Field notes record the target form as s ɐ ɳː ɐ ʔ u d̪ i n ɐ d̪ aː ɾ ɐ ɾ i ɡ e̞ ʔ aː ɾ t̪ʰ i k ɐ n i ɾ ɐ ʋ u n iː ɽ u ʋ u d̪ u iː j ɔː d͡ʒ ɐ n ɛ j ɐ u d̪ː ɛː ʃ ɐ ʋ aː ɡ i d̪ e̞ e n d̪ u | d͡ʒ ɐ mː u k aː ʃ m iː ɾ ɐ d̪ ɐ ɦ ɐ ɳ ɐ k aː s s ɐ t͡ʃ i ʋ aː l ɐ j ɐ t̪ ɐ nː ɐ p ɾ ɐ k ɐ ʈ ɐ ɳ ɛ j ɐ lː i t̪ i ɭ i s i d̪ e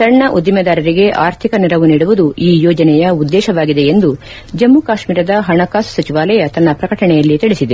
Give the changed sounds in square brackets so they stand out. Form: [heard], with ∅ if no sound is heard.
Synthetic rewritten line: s ɐ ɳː ɐ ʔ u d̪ i [m] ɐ d̪ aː ɾ ɐ ɾ i ɡ e̞ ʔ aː ɾ t̪ʰ i k ɐ n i ɾ ɐ ʋ u n iː ɽ u ʋ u d̪ u iː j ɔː d͡ʒ ɐ n ɛ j ɐ u d̪ː ɛː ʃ ɐ ʋ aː ɡ i d̪ e̞ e n d̪ u | d͡ʒ ɐ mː u k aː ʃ m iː ɾ ɐ d̪ ɐ ɦ ɐ ɳ ɐ k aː s s ɐ t͡ʃ i ʋ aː l ɐ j ɐ t̪ ɐ nː ɐ p ɾ ɐ k ɐ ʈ ɐ ɳ ɛ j ɐ lː i t̪ i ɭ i s i d̪ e